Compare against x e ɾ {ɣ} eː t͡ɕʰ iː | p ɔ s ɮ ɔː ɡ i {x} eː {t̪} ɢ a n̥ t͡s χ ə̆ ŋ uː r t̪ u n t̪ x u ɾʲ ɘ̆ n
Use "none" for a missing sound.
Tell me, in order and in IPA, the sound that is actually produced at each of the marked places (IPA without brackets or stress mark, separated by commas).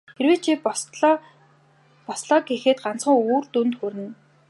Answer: w, x, t̪